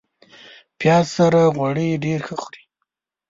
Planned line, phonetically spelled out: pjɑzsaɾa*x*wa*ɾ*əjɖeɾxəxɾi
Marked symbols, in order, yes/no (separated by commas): no, no